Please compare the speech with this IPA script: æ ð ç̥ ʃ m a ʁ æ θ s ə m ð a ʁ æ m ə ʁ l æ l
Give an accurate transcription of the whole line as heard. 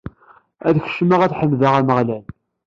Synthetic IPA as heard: æ ð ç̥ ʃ m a ʁ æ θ ħ ə m ð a ʁ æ m ə ʁ l æ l